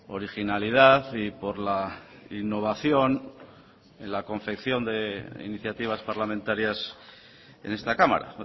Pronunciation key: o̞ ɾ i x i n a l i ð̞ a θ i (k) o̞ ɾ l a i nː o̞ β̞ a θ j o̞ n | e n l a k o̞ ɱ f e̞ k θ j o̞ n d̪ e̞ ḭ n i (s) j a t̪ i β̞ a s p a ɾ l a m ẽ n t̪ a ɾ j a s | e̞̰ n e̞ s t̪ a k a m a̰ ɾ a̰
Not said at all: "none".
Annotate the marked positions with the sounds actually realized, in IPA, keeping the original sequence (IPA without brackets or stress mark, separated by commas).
p, θ